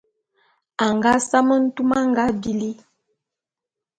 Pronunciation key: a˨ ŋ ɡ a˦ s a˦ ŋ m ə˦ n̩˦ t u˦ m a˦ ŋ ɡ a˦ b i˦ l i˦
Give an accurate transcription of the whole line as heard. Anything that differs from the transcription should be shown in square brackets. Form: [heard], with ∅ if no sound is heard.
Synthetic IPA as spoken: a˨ ŋ ɡ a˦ s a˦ [∅] m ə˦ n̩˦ t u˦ m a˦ ŋ ɡ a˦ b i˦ l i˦